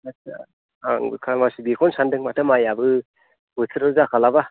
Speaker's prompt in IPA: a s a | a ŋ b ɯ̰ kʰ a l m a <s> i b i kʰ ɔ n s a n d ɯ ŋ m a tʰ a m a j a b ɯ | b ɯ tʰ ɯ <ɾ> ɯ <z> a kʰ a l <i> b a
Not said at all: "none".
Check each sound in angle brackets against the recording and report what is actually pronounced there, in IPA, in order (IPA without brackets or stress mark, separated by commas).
s, ɾ, z, a